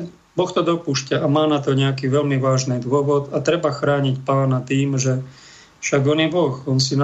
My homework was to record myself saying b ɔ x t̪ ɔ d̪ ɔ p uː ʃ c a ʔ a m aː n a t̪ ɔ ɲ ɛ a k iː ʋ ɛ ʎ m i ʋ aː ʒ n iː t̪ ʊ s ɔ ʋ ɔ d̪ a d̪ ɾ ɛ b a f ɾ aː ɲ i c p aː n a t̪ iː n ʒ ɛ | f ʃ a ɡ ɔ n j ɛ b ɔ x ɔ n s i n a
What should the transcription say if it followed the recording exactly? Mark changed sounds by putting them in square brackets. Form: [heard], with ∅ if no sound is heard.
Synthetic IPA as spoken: b ɔ x t̪ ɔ d̪ ɔ p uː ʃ c a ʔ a m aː n a t̪ ɔ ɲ ɛ a k iː ʋ ɛ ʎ m i ʋ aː ʒ n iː [d̪] ʊ [∅] ɔ ʋ ɔ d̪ a [t̪] ɾ ɛ b a [x] ɾ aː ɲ i c p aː n a t̪ iː [m] ʒ ɛ | f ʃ a ɡ ɔ n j ɛ b ɔ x ɔ n s i n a